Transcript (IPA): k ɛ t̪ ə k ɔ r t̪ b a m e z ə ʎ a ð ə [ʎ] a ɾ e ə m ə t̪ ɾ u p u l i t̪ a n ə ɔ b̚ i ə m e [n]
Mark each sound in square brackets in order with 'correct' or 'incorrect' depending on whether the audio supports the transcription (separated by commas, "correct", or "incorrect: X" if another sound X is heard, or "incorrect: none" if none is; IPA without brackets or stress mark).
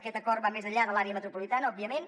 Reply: incorrect: l, correct